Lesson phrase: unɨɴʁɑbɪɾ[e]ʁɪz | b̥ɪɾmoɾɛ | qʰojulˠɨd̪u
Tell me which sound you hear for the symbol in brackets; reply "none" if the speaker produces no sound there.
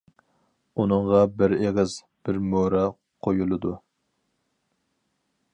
e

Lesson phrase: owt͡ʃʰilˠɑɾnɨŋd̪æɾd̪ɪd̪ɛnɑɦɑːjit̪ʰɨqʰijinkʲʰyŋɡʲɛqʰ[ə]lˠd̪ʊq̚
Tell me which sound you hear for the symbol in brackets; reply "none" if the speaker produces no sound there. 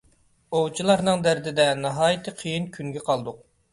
ɑ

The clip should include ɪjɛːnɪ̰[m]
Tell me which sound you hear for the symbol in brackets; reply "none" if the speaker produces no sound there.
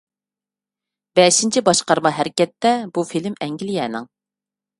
ŋ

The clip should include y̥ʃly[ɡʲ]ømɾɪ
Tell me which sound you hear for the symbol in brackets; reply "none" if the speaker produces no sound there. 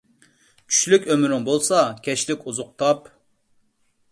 kʲ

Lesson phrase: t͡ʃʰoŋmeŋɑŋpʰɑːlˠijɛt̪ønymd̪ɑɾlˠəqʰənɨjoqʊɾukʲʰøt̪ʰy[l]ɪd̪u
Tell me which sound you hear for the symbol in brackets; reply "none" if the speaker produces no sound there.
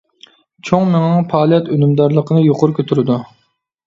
ɾ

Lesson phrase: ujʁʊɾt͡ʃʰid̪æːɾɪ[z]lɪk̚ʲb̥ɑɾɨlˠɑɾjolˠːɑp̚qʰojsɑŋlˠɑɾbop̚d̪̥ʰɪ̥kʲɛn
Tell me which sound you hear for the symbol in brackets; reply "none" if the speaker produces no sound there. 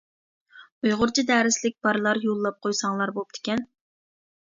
s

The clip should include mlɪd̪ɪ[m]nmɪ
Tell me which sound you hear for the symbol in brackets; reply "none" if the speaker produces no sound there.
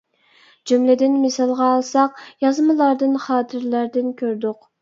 none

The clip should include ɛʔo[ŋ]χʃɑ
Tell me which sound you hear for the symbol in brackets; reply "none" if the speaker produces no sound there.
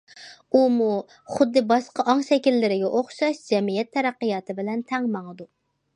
none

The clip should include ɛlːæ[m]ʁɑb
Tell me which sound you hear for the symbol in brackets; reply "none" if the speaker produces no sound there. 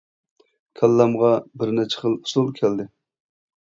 m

